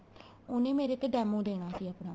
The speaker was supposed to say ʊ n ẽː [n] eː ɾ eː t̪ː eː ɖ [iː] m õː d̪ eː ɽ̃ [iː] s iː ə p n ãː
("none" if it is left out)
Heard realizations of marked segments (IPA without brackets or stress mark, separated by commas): m, ɛː, aː